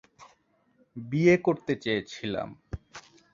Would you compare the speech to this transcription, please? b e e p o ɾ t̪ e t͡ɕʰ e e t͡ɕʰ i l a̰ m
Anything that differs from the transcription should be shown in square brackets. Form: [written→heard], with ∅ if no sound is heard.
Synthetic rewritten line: b [e→i] e [p→k] o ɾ t̪ e [t͡ɕʰ→t͡ɕ] e e t͡ɕʰ i l a̰ m

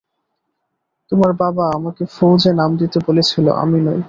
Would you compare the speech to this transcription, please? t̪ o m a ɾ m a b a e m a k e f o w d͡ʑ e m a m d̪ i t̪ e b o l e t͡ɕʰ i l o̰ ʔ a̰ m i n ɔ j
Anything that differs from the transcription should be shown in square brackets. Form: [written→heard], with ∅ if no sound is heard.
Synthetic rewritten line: t̪ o m a ɾ [m→b] a b a [e→a] m a k e f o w d͡ʑ e [m→n] a m d̪ i t̪ e b o l e t͡ɕʰ i l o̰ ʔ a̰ m i n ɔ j

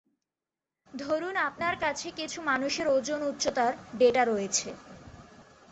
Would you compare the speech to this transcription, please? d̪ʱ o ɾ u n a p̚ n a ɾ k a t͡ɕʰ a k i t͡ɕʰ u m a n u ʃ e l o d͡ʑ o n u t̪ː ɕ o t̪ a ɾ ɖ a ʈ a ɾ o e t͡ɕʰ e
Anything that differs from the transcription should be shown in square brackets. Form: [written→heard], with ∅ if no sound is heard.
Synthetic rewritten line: d̪ʱ o ɾ u n a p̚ n a ɾ k a t͡ɕʰ [a→e] k i t͡ɕʰ u m a n u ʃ e [l→ɾ] o d͡ʑ o n u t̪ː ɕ o t̪ a ɾ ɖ [a→e] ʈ a ɾ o e t͡ɕʰ e

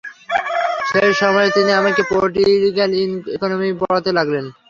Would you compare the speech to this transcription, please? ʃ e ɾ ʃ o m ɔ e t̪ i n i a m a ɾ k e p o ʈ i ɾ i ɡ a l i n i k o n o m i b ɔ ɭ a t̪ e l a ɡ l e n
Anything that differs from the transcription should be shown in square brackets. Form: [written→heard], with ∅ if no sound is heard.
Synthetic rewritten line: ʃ e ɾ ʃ [o→ɔ] m ɔ e t̪ i n i a m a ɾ k e p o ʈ i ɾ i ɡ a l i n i k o n o m i b ɔ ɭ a t̪ e l a ɡ l e n

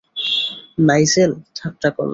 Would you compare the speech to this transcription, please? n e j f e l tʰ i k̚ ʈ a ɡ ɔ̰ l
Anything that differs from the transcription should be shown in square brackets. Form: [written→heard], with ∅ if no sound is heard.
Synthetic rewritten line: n [e→a] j [f→s] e l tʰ [i→a] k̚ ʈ a [ɡ→k] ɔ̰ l

